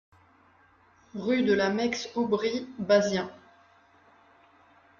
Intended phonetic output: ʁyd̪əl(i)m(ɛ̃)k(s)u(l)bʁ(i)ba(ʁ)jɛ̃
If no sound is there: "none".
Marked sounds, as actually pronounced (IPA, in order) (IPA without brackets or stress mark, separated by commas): a, ɛ, s, none, i, z